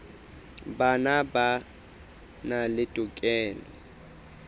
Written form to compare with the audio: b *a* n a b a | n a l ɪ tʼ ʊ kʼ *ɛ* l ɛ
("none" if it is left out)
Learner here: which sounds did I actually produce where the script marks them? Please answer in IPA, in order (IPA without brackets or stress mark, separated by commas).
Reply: a, ɛː